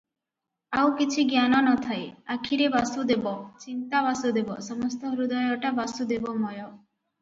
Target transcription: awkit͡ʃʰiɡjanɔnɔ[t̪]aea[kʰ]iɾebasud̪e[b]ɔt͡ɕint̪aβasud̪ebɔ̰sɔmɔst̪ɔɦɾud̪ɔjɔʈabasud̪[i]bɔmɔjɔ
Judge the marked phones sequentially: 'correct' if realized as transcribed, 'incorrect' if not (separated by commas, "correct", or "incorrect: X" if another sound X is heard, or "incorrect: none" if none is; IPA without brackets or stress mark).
incorrect: t̪ʰ, correct, correct, incorrect: e